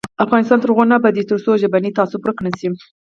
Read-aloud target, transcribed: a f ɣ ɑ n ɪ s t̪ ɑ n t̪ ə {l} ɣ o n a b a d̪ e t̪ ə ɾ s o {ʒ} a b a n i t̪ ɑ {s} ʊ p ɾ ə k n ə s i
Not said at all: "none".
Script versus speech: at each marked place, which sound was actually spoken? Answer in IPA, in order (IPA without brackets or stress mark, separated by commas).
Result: ɾ, ʒ, s